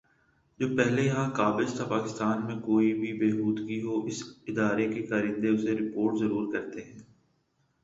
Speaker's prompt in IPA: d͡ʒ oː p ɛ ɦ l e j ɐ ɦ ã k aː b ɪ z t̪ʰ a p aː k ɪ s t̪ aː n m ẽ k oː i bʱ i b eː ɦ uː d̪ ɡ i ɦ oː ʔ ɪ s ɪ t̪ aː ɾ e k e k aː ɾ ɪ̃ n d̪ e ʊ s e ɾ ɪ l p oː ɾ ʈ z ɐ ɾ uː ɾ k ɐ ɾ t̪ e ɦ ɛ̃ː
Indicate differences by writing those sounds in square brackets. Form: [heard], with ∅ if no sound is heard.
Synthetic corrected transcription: d͡ʒ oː p ɛ ɦ l e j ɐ ɦ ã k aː b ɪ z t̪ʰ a p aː k ɪ s t̪ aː n m ẽ k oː i bʱ i b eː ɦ uː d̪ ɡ i ɦ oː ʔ ɪ s ɪ [d̪] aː ɾ e k e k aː ɾ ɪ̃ n d̪ e ʊ s e ɾ ɪ [∅] p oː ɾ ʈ z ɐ ɾ uː ɾ k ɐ ɾ t̪ e ɦ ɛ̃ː